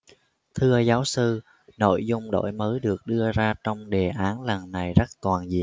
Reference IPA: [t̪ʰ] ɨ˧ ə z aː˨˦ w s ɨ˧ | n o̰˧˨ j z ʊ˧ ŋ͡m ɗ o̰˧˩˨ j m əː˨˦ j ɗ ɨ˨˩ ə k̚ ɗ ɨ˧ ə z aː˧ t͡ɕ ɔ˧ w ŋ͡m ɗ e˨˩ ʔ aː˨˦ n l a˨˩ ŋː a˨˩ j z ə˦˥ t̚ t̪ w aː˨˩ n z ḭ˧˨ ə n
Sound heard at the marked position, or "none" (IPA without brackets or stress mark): t̪ʰ